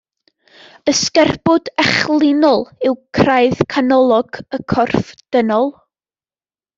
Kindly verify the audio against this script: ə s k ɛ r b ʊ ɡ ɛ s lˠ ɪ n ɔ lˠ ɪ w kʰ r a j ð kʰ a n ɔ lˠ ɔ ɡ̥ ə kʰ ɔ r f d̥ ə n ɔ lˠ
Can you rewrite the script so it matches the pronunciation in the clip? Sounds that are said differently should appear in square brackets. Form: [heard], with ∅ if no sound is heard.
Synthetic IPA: ə s k ɛ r b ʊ [d] ɛ [χ] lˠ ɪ n ɔ lˠ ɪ w kʰ r a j ð kʰ a n ɔ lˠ ɔ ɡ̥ ə kʰ ɔ r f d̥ ə n ɔ lˠ

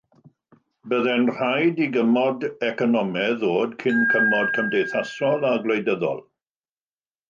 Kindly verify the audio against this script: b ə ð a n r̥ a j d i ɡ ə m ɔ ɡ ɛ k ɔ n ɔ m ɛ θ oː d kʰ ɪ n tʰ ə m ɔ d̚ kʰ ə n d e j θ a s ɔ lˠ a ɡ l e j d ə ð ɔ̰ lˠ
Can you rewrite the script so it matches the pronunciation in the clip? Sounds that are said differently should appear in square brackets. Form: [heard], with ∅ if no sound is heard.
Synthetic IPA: b ə ð [ɛ] n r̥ a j d i ɡ ə m ɔ [d] ɛ k ɔ n ɔ m ɛ [ð] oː d kʰ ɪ n [kʰ] ə m ɔ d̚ kʰ ə [m] d e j θ a s ɔ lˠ a ɡ l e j d ə ð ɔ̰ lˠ

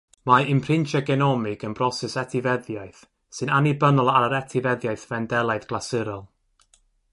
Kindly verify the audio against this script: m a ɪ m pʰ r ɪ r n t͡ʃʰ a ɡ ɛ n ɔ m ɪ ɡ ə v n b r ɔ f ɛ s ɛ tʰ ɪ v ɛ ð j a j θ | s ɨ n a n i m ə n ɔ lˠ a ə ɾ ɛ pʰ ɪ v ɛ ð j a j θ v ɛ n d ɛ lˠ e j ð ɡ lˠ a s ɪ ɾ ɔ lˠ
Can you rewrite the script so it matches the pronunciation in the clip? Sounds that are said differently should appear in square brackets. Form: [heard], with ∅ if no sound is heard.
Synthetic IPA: m a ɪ m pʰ r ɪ [∅] n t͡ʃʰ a ɡ ɛ n ɔ m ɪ ɡ ə [∅] n b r ɔ [s] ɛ s ɛ tʰ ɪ v ɛ ð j a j θ | s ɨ n a n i [b] ə n ɔ lˠ a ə ɾ ɛ [tʰ] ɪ v ɛ ð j a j θ v ɛ n d ɛ lˠ [a] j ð ɡ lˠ a s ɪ ɾ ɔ lˠ

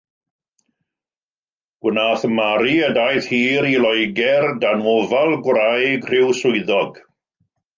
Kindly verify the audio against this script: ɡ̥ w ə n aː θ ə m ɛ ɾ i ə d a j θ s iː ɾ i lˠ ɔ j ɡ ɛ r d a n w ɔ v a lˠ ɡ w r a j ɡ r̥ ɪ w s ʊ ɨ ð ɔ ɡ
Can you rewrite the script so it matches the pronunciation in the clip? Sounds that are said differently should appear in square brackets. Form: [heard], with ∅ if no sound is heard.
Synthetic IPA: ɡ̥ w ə n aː θ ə m [a] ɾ i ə d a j θ [h] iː ɾ i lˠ ɔ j ɡ ɛ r d a n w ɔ v a lˠ ɡ w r a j ɡ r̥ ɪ w s ʊ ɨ ð ɔ ɡ

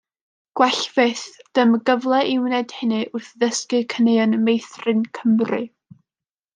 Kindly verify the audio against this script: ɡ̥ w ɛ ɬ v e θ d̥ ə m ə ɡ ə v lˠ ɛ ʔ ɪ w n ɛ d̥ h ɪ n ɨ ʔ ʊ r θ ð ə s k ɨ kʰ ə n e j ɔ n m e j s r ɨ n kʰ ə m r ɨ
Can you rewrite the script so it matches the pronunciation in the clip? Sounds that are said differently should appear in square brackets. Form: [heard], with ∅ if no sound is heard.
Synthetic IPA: ɡ̥ w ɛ ɬ v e θ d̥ ə m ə ɡ ə v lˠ ɛ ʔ ɪ w n ɛ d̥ h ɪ n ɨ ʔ ʊ r θ ð ə s k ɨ kʰ ə n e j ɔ n m e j [θ] r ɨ n kʰ ə m r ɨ

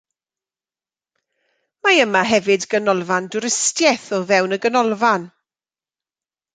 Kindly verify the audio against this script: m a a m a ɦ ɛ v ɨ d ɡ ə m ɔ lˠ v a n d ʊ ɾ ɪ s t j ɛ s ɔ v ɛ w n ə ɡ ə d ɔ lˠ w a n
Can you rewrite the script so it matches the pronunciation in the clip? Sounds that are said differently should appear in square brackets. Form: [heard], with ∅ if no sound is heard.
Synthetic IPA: m a [ə] m a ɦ ɛ v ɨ d ɡ ə [n] ɔ lˠ v a n d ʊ ɾ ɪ s t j ɛ [θ] ɔ v ɛ w n ə ɡ ə [n] ɔ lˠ [v] a n

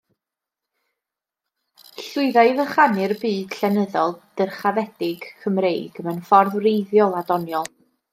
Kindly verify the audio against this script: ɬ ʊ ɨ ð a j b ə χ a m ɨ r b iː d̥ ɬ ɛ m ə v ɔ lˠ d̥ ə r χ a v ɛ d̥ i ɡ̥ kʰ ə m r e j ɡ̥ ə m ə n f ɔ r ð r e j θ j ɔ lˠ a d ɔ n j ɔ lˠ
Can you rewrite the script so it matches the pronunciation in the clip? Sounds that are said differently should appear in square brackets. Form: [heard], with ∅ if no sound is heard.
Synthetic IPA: ɬ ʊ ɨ ð a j [v] ə χ a [n] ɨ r b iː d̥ ɬ ɛ [n] ə [ð] ɔ lˠ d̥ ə r χ a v ɛ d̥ [ɪ] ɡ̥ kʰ ə m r e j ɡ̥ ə m ə n f ɔ r ð r e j [ð] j ɔ lˠ a d ɔ n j ɔ lˠ

